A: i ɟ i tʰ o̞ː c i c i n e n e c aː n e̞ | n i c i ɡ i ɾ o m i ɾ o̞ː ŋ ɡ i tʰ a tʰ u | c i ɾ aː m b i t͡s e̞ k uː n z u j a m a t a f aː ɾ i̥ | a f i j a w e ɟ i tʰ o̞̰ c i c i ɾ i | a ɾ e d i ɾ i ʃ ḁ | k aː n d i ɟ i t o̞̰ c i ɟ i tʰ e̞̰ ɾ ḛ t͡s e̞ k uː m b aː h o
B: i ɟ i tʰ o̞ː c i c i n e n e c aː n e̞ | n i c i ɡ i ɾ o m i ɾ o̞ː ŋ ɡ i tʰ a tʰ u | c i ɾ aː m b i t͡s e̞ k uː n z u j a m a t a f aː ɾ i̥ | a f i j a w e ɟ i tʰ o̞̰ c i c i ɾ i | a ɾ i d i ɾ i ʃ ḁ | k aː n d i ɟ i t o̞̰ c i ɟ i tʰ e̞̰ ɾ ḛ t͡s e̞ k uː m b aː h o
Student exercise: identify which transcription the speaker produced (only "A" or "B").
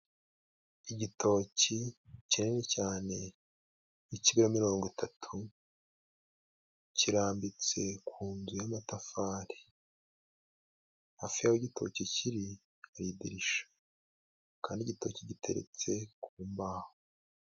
B